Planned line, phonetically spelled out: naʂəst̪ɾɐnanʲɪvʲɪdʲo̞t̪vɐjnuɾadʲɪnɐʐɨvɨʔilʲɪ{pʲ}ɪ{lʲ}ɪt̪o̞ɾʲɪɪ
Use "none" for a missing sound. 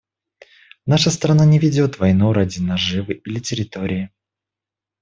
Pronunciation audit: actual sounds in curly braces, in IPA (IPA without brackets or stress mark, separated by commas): tʲ, ɾʲ